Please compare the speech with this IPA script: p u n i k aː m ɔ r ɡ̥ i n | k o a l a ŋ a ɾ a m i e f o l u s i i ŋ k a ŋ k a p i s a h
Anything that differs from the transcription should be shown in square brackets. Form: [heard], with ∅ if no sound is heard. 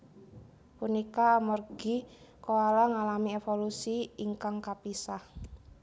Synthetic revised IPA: p u n i k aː m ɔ r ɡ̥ i [∅] | k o a l a ŋ a [l] a m i e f o l u s i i ŋ k a ŋ k a p i s a h